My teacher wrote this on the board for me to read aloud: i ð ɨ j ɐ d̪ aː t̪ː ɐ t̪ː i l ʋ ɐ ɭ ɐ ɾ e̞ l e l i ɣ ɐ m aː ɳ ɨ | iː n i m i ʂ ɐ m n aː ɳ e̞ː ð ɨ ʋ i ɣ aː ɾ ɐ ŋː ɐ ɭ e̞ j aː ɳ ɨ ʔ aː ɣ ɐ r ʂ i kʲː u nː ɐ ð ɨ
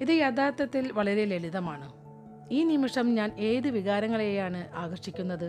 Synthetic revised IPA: i ð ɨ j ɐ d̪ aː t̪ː ɐ t̪ː i l ʋ ɐ ɭ ɐ ɾ e̞ l e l i ð ɐ m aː ɳ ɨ | iː n i m i ʂ ɐ m ɲ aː n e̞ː ð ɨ ʋ i ɣ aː ɾ ɐ ŋː ɐ ɭ e̞ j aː ɳ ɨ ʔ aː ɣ ɐ r ʂ i kʲː u nː ɐ ð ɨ